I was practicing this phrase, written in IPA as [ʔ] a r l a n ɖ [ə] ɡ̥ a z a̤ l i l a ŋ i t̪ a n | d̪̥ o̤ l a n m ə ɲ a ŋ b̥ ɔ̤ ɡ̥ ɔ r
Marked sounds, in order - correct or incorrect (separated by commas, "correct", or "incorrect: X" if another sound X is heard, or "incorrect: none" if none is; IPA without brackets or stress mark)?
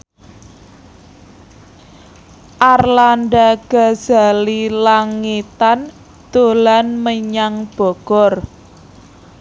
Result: correct, incorrect: a